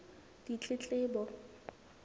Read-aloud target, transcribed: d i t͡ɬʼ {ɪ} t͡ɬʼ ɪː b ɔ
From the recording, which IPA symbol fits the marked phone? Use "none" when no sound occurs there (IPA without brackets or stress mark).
ɪ